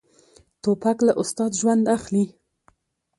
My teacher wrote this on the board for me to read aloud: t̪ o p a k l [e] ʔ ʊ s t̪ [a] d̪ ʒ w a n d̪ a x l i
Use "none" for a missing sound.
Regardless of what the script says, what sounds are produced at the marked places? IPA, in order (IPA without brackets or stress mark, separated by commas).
a, ɑ